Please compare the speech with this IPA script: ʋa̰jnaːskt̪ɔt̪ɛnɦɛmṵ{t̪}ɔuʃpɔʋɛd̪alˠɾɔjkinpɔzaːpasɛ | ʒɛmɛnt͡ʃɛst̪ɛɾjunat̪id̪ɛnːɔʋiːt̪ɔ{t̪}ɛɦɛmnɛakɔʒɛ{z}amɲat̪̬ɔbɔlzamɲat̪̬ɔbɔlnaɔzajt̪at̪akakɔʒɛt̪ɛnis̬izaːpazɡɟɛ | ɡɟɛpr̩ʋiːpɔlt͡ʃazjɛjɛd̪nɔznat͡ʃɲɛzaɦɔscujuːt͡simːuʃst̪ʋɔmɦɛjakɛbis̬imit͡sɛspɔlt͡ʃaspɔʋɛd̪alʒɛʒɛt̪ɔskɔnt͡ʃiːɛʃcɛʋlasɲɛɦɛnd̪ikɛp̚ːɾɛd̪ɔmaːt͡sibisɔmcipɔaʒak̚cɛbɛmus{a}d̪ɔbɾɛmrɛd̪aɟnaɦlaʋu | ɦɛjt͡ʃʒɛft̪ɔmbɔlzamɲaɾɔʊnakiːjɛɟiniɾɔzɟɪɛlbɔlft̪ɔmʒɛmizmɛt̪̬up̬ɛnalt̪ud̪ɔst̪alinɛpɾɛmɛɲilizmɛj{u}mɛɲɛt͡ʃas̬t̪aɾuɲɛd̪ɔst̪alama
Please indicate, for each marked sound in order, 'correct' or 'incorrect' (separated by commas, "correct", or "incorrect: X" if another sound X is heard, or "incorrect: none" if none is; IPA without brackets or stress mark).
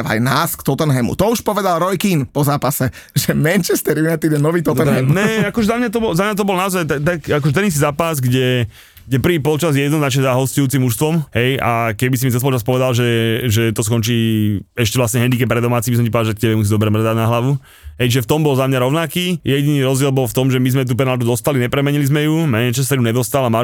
correct, correct, correct, incorrect: i, correct